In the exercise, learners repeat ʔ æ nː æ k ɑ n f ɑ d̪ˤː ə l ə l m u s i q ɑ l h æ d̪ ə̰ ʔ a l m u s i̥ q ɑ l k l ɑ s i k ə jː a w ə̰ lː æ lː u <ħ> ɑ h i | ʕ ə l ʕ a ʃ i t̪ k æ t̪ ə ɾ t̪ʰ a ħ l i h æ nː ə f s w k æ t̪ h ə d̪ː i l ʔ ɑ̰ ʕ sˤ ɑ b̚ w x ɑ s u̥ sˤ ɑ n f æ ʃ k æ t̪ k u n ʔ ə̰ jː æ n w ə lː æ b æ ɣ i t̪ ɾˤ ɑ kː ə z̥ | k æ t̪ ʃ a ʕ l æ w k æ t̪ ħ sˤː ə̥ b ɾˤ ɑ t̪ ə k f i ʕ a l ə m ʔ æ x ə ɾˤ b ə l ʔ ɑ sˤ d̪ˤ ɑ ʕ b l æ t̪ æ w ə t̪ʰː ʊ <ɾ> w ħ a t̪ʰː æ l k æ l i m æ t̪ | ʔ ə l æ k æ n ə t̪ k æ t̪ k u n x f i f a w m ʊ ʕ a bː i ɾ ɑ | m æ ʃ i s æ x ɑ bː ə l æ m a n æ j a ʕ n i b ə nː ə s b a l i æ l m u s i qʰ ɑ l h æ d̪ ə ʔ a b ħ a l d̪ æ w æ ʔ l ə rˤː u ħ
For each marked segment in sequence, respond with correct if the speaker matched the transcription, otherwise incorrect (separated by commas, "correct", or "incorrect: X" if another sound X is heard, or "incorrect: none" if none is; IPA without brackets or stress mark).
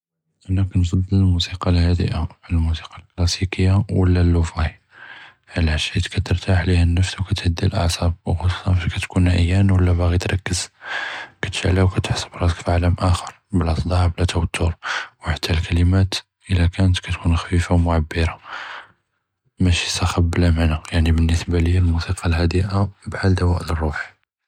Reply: incorrect: f, correct